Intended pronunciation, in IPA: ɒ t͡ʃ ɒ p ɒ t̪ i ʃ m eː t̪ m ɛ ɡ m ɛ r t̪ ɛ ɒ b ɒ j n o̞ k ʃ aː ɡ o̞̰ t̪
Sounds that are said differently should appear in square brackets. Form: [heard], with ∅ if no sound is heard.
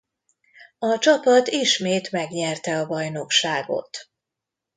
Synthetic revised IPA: ɒ t͡ʃ ɒ p ɒ t̪ i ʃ m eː t̪ m ɛ ɡ [ɲ] ɛ r t̪ ɛ ɒ b ɒ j n o̞ k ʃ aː ɡ o̞̰ t̪